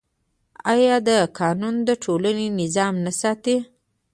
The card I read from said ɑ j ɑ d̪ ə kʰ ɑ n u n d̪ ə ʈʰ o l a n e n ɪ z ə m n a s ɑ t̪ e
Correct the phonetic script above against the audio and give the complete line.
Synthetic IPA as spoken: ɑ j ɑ d̪ ə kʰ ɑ n u n d̪ ə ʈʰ o l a n e n ɪ z ɑ m n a s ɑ t̪ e